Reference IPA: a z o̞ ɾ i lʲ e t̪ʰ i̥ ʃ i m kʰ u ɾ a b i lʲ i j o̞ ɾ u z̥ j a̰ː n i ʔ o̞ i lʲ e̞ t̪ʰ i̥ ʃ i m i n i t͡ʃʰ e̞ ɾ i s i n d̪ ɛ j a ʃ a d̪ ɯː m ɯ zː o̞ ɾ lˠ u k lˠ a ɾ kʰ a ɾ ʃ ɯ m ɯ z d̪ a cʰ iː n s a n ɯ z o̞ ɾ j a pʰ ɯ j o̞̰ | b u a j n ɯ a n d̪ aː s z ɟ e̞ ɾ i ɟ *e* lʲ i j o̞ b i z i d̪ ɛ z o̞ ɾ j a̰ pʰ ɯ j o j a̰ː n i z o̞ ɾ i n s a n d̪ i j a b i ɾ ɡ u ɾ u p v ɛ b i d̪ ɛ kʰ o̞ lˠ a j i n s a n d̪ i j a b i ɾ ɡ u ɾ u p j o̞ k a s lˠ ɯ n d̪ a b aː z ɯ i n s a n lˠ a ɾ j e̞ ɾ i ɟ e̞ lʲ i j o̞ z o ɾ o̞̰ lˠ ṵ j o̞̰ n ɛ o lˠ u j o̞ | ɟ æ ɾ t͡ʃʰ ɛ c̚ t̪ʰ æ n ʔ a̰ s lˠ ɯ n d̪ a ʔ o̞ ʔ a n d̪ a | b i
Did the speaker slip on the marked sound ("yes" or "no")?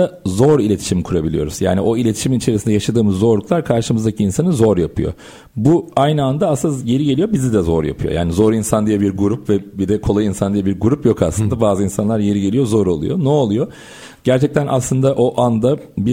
no